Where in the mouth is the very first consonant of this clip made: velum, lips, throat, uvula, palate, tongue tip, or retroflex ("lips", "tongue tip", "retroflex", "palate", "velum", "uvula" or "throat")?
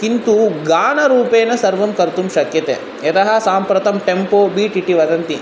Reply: velum